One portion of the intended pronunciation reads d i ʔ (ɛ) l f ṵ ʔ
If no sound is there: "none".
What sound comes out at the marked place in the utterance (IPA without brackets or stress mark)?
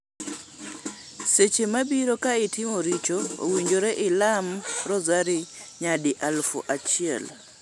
a